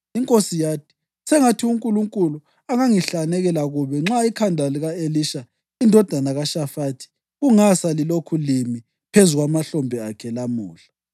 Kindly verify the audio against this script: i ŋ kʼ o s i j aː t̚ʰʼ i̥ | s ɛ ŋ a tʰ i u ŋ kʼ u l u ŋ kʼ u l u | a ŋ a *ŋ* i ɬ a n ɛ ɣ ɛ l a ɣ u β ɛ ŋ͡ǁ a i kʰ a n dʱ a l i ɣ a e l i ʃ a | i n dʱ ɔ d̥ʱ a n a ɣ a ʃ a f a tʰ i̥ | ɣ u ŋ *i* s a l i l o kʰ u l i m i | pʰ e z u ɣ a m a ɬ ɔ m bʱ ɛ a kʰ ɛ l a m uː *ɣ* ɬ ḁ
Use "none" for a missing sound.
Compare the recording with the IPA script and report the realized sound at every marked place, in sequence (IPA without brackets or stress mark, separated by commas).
ŋ, a, none